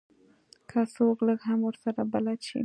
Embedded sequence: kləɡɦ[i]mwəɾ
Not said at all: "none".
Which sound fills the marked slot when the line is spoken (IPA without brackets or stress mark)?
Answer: a